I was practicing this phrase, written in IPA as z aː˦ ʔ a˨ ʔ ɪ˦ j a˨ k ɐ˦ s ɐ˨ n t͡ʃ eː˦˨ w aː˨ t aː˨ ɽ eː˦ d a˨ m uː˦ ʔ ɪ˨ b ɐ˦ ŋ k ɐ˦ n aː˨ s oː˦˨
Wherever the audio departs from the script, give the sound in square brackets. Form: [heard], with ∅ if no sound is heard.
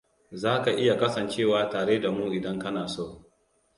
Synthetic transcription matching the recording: z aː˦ [k] a˨ ʔ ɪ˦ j a˨ k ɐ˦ s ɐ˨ n t͡ʃ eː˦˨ w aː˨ t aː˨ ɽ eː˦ d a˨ m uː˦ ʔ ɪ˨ [d] ɐ˦ ŋ k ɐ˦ n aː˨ s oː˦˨